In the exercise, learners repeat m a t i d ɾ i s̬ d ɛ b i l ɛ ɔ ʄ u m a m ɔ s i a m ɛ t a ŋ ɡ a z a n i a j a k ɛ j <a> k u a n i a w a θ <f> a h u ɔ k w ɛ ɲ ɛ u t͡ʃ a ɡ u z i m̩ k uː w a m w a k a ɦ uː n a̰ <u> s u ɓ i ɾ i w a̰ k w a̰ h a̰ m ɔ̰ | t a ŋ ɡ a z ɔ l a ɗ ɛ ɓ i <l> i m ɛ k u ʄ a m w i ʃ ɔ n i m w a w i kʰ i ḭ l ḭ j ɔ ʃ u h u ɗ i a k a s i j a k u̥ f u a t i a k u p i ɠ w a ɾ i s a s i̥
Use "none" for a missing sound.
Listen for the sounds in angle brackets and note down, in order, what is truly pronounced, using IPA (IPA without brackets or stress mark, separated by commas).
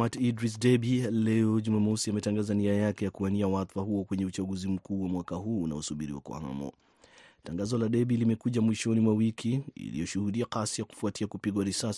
a, f, ɔ, l